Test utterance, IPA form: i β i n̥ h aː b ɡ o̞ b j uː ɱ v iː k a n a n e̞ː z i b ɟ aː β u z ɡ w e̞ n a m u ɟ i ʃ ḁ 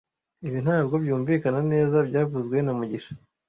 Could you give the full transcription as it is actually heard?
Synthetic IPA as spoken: i β i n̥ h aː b ɡ o̞ b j uː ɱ v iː k a n a n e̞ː z a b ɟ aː v u z ɡ w e̞ n a m u ɟ i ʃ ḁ